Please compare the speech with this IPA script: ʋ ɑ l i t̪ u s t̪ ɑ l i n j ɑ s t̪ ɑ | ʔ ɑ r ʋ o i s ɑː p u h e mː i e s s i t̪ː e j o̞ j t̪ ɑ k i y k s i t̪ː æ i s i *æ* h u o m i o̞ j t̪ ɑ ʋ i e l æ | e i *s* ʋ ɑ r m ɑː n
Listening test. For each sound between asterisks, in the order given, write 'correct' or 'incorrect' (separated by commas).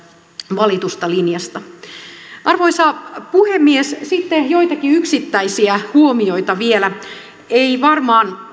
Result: correct, incorrect